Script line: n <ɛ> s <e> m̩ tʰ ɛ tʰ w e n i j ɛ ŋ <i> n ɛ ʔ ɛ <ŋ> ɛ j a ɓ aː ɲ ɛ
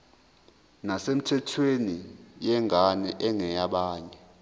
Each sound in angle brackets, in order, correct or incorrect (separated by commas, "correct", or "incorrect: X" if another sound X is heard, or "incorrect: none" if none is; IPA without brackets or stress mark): incorrect: a, correct, incorrect: a, correct